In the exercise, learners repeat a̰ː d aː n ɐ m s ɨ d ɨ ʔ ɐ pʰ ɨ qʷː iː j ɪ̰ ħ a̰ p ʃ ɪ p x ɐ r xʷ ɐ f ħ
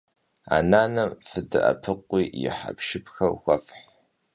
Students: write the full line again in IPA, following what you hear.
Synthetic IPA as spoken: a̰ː n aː n ɐ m f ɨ d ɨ ʔ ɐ pʰ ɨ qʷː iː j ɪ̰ ħ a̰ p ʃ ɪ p x ɐ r xʷ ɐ f ħ